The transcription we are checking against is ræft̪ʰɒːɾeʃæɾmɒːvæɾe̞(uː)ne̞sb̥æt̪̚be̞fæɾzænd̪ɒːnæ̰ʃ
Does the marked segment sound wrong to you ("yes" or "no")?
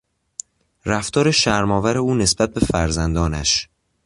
no